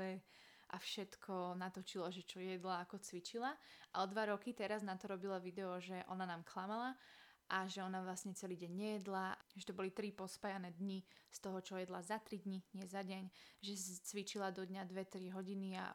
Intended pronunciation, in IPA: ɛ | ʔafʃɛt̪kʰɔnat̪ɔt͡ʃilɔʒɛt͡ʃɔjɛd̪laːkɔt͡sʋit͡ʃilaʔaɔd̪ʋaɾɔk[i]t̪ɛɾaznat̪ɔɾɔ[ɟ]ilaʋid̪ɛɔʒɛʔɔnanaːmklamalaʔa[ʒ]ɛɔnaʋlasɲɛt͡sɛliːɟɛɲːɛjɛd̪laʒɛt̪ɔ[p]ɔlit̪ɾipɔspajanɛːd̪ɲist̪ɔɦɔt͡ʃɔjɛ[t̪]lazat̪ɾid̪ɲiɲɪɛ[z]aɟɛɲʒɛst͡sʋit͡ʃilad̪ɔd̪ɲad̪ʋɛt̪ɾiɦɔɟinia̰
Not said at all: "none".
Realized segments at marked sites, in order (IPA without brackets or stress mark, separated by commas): i, b, ʒ, b, d̪, z